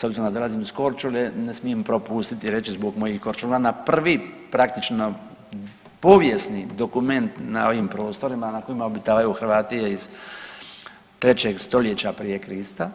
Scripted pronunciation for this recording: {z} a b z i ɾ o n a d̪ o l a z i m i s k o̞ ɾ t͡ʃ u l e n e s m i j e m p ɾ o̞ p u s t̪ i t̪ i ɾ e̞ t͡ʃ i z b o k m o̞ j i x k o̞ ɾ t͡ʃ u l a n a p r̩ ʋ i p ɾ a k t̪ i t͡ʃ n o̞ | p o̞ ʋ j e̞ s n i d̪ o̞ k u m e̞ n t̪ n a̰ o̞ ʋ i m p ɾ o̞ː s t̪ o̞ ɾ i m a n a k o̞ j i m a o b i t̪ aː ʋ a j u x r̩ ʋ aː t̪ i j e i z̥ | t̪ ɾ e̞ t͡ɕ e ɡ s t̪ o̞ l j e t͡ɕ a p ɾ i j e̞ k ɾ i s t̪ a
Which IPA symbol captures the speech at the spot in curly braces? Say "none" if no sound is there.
s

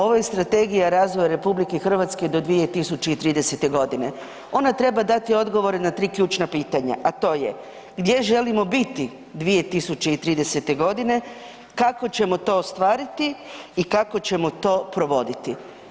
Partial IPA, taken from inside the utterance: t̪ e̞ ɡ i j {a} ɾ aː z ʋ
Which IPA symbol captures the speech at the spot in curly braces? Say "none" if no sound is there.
a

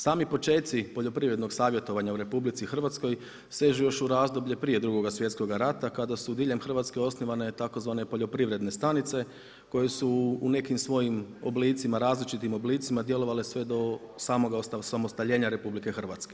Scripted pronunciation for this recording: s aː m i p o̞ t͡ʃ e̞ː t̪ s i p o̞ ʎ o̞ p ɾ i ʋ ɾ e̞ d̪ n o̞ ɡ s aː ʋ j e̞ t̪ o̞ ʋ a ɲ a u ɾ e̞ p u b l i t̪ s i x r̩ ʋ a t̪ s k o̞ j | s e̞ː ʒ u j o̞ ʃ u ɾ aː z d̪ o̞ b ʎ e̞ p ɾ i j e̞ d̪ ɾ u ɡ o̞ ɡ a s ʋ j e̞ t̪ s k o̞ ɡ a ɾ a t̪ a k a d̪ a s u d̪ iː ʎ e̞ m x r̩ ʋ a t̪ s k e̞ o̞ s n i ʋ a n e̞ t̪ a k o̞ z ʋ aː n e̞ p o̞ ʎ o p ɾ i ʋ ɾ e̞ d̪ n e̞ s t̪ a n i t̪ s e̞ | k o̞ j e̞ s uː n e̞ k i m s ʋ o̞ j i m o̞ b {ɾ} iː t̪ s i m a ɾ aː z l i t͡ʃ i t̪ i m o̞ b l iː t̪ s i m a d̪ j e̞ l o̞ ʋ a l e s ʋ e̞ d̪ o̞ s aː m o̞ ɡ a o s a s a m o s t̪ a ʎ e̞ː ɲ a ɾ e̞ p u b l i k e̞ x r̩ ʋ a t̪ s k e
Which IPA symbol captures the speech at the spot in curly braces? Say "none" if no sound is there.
l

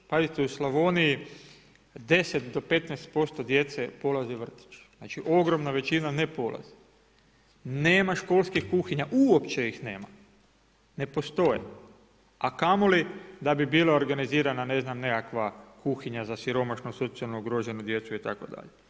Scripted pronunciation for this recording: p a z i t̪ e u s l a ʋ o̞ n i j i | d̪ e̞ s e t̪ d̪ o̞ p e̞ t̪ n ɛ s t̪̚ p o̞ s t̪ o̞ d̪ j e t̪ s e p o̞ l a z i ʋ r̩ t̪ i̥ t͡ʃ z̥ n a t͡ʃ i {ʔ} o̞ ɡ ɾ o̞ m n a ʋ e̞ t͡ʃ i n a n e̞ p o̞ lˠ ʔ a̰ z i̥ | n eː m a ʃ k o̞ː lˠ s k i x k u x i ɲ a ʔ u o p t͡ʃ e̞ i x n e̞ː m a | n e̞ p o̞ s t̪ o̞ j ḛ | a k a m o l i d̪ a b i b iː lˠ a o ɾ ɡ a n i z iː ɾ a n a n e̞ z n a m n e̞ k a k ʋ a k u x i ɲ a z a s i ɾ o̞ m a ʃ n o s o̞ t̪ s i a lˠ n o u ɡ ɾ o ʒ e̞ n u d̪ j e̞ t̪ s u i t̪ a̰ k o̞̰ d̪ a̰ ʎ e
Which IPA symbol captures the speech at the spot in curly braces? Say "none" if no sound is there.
ʔ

